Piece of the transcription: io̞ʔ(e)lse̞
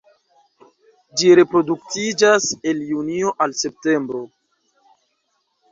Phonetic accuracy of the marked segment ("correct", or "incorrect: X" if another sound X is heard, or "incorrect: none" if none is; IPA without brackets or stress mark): incorrect: a